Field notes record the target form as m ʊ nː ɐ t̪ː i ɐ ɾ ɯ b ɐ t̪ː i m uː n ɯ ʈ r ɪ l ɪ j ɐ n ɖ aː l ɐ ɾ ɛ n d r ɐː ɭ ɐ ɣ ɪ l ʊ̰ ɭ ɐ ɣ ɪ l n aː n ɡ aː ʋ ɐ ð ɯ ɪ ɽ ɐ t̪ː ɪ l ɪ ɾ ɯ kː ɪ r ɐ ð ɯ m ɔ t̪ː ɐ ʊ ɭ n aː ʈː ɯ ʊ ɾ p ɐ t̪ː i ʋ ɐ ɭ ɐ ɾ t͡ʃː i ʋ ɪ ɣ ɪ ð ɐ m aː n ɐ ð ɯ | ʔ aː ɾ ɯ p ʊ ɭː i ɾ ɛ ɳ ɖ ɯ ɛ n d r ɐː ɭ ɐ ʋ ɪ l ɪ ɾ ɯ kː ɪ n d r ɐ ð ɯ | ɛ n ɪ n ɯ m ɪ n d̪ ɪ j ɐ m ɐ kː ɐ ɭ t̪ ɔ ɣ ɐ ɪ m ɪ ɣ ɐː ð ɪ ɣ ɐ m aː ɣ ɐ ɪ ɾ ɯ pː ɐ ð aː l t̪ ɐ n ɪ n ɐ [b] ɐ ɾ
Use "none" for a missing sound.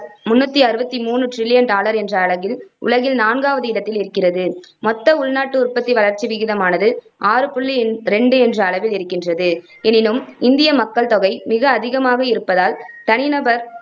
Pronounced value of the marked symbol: b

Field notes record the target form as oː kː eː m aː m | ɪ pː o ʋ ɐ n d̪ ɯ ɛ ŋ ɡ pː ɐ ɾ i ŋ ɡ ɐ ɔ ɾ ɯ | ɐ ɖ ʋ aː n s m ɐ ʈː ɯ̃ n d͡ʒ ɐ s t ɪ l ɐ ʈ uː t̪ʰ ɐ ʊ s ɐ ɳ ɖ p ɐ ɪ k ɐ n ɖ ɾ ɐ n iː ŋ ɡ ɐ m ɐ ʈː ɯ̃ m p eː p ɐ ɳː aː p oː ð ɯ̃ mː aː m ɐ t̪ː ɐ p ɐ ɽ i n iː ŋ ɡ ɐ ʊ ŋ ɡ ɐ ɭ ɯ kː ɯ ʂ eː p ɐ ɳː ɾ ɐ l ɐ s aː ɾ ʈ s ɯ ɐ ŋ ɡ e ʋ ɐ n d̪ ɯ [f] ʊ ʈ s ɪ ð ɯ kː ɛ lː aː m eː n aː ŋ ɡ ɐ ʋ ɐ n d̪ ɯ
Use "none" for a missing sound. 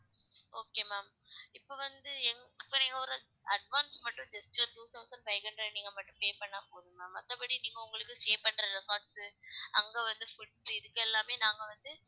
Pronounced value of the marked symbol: f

